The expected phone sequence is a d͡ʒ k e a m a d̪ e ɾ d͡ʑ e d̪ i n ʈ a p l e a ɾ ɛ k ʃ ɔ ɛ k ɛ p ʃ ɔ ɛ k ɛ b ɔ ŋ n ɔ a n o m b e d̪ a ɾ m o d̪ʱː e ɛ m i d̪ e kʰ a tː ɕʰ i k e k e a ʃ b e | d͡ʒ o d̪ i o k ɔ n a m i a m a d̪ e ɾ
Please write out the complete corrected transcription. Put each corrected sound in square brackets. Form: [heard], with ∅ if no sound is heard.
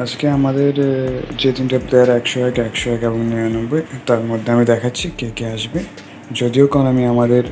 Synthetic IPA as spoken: a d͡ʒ k e a m a d̪ e ɾ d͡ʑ e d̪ i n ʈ a p l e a ɾ ɛ k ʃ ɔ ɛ k ɛ [k] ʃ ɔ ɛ k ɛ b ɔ ŋ n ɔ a n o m b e [t̪] a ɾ m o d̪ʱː e [a] m i d̪ [ɛ] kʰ a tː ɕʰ i k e k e a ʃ b e | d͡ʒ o d̪ i o k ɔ n a m i a m a d̪ e ɾ